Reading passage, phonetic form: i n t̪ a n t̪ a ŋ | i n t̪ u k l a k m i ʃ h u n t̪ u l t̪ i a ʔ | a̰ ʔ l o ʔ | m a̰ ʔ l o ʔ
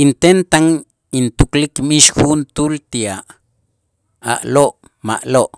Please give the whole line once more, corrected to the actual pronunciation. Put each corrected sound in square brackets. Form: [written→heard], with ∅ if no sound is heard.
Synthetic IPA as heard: i n t̪ [a→e] n t̪ a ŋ | i n t̪ u k l [a→i] k m i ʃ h u n t̪ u l t̪ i a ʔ | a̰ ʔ l o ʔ | m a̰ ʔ l o ʔ